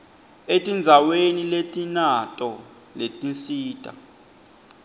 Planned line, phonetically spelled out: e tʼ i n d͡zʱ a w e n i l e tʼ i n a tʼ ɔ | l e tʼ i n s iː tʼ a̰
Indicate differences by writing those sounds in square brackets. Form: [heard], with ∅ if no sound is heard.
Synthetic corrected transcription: e tʼ i n d͡zʱ a w e n i l e tʼ i n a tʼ ɔ | l e tʼ i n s iː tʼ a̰